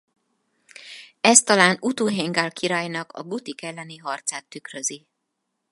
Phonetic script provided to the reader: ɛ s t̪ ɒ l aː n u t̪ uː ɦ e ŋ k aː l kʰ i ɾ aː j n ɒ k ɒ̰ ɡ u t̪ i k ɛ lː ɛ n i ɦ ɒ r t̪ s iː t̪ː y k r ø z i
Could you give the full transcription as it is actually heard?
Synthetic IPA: ɛ s t̪ ɒ l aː n u t̪ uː ɦ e ŋ ɡ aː l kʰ i ɾ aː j n ɒ k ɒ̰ ɡ u t̪ i k ɛ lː ɛ n i ɦ ɒ r t̪ s aː t̪ː y k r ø z i